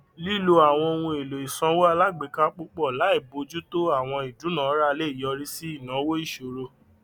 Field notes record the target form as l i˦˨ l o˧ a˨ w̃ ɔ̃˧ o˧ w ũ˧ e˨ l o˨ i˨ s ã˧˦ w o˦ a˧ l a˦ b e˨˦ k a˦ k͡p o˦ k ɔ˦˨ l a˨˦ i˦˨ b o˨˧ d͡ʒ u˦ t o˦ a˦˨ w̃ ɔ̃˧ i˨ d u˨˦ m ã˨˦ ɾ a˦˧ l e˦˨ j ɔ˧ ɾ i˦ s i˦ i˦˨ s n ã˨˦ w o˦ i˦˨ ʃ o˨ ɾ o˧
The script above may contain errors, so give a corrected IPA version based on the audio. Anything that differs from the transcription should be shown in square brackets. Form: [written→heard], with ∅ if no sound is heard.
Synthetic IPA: l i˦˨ l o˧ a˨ w̃ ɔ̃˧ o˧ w ũ˧ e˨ l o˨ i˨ s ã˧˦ w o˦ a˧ l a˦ [b→ɡ͡b] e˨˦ k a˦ k͡p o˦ [k→k͡p] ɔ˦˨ l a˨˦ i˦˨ b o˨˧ d͡ʒ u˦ t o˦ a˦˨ w̃ ɔ̃˧ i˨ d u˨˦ [m→n] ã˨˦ ɾ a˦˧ l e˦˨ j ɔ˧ ɾ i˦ s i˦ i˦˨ [s→∅] n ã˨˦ w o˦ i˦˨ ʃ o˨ ɾ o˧